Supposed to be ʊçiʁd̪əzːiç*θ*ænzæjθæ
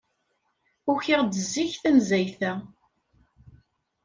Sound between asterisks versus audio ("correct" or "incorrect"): correct